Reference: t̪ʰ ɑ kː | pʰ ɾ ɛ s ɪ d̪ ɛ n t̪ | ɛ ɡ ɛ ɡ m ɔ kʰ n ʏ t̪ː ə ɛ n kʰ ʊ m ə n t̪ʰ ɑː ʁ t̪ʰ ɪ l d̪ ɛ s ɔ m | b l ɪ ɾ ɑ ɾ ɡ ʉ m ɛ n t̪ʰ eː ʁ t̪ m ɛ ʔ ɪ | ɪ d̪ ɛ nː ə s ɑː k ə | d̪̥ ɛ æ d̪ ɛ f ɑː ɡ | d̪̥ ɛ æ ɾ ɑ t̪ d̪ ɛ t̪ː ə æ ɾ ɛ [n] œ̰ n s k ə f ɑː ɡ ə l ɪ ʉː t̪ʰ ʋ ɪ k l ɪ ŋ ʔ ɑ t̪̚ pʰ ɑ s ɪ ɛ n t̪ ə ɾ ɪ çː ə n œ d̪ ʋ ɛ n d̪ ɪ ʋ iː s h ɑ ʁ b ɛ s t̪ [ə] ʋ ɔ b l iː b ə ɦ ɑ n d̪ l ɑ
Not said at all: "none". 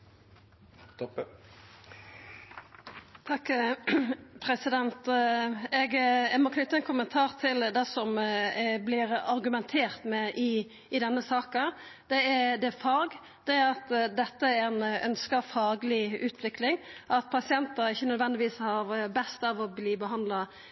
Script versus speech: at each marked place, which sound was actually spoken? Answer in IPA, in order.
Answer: n, ɑ

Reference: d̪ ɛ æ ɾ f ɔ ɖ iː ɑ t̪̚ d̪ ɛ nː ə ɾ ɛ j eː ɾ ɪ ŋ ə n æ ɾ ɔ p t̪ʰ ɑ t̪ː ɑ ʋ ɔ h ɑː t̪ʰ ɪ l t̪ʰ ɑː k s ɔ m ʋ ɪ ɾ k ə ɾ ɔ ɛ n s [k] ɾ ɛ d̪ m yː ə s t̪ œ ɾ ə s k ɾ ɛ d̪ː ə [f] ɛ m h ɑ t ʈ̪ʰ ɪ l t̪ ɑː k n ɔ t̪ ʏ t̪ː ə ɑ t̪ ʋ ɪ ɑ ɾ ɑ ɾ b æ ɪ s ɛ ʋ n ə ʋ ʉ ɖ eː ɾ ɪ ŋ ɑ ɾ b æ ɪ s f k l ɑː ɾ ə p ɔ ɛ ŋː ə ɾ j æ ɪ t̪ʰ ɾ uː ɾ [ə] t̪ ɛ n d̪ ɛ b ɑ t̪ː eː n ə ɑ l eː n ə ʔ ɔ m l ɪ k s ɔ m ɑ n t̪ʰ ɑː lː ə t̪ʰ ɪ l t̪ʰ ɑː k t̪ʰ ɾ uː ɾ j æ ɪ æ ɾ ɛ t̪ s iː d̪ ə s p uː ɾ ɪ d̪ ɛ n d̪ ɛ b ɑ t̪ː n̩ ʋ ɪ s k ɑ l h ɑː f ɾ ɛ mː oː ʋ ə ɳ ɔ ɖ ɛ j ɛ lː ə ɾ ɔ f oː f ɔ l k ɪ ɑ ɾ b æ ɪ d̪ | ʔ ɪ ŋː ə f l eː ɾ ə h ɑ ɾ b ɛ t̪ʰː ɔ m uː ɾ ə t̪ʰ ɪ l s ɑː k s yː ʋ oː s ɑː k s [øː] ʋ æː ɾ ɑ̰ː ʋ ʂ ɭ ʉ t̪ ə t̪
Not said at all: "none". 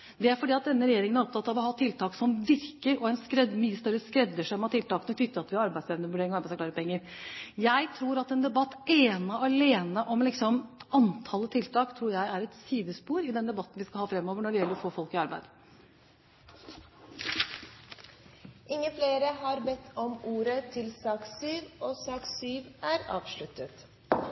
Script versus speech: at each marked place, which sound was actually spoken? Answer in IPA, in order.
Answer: k, ʂ, ɑ, yː

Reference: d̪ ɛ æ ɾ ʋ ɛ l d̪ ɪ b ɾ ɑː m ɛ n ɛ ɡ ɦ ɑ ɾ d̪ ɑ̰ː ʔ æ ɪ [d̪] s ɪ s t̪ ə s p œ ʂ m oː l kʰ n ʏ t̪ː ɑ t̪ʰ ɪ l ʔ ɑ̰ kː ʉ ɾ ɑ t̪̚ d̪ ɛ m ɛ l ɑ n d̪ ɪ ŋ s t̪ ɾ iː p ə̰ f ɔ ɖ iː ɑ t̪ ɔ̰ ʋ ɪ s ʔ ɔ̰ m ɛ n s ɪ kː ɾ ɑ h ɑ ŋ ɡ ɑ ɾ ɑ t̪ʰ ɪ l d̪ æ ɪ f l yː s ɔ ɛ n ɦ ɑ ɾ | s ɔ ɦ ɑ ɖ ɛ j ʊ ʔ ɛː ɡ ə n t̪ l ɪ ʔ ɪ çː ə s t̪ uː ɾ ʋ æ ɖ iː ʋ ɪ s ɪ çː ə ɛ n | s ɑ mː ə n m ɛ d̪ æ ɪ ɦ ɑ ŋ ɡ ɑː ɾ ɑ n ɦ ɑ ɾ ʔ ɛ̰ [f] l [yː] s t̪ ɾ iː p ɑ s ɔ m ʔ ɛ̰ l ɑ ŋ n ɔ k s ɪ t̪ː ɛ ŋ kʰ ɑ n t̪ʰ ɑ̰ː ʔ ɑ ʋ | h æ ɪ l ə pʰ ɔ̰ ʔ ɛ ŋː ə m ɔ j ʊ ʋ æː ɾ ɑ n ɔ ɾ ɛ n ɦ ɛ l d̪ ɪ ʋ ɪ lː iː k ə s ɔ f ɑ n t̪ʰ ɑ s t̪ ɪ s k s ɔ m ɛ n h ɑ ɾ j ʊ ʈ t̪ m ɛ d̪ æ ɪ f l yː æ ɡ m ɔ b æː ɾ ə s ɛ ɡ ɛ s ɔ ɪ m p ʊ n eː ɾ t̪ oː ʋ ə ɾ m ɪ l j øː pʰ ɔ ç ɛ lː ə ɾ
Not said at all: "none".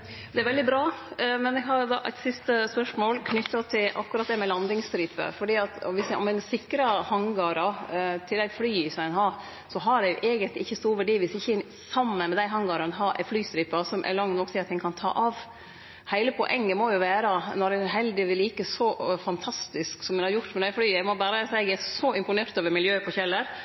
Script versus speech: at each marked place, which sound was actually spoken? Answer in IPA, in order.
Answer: t̪, f, yː

